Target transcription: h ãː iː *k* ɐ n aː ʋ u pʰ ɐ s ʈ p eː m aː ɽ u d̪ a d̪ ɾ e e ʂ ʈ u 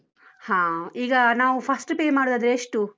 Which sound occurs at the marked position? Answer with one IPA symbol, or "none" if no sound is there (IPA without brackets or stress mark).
ɡ